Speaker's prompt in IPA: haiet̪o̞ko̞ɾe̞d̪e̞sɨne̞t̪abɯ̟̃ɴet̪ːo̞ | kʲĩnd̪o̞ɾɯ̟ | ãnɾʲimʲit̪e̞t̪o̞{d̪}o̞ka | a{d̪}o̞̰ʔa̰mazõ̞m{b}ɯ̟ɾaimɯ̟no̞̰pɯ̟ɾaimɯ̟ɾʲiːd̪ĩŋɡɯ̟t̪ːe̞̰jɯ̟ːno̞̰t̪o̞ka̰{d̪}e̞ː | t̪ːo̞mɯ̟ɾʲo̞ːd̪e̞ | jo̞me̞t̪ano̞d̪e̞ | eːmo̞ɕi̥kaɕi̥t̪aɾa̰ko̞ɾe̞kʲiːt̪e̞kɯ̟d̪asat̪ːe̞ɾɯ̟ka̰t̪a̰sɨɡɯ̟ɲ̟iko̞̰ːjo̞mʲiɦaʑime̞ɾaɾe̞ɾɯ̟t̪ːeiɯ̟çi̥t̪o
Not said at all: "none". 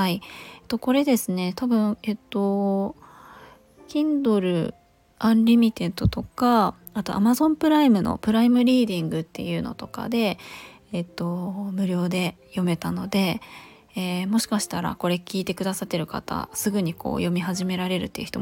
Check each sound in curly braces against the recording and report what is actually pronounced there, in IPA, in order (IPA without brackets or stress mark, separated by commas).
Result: t̪, t̪, p, d̪